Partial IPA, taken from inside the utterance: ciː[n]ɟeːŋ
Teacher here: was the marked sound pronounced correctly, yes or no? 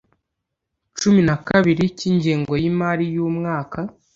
no